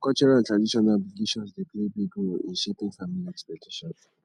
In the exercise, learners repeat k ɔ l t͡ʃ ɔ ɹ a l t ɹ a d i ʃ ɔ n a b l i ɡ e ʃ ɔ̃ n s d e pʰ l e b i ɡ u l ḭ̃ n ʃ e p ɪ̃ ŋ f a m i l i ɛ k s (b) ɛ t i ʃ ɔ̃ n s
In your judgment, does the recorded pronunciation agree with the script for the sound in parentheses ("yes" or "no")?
no